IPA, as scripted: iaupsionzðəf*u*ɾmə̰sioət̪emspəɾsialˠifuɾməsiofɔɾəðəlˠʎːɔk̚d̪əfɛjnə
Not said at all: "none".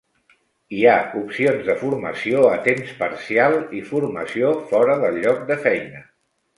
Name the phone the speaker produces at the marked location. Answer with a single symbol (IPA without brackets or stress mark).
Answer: u